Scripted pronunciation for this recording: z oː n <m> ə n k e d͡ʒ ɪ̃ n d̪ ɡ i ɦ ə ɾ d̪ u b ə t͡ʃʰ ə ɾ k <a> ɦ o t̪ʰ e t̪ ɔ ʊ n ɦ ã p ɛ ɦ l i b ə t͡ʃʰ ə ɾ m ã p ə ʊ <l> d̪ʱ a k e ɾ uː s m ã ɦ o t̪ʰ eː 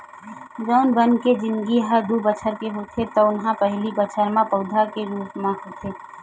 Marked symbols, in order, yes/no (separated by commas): no, no, no